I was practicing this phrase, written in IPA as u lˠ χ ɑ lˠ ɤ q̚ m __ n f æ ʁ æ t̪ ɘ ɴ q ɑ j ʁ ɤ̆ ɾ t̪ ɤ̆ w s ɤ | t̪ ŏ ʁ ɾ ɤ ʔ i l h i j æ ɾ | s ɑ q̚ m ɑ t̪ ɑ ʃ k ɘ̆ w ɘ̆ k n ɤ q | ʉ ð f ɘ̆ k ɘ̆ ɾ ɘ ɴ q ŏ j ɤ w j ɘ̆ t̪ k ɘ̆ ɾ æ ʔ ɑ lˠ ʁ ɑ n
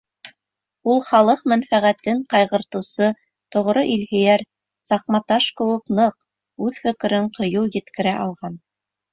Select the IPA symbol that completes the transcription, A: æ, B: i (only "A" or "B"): A